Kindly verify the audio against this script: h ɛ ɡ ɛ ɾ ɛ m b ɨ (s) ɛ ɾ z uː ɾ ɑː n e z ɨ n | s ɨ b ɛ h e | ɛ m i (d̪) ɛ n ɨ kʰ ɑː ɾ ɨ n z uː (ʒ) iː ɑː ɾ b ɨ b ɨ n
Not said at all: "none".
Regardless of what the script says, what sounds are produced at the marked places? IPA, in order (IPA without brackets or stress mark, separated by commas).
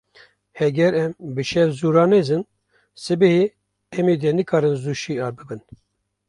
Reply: ʃ, d̪, ʃ